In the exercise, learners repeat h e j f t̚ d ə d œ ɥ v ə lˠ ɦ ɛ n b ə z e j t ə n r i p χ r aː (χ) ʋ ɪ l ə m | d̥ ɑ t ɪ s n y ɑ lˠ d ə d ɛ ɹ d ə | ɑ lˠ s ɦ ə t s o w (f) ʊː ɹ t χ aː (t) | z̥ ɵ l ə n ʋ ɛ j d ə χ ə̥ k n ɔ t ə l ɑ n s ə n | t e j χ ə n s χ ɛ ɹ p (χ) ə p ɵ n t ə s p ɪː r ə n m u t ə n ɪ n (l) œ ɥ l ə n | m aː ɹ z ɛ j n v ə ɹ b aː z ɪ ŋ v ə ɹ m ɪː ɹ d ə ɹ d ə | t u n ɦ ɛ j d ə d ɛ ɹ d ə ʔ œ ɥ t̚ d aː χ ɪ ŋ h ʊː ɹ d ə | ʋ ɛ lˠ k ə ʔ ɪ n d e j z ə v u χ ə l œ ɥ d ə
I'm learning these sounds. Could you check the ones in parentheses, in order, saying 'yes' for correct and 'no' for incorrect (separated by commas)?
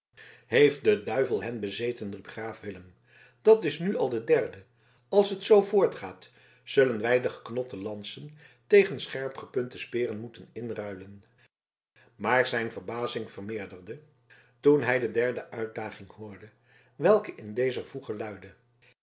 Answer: no, no, yes, yes, no